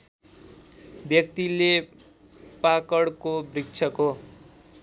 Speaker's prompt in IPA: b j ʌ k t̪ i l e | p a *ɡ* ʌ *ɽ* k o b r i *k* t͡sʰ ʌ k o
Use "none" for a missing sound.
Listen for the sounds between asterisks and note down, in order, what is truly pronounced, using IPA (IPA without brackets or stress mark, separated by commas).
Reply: k, ɽ, k